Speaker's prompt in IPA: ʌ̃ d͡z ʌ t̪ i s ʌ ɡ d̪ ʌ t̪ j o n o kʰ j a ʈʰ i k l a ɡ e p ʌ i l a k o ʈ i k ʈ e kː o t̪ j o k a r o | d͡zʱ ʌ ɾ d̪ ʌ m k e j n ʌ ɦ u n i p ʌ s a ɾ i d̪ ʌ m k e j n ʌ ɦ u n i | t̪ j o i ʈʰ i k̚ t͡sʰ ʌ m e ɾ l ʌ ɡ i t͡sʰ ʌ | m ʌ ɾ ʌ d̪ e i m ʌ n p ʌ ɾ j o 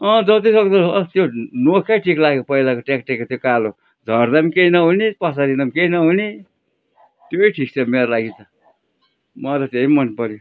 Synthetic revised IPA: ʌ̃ d͡z ʌ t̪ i s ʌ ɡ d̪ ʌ t̪ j o n o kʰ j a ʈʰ i k l a ɡ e p ʌ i l a k o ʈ e k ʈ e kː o t̪ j o k a l o | d͡zʱ ʌ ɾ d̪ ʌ m k e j n ʌ ɦ u n i p ʌ s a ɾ i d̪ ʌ m k e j n ʌ ɦ u n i | t̪ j o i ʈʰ i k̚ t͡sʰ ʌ m e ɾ l a ɡ i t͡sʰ ʌ | m ʌ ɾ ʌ t̪ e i m ʌ n p ʌ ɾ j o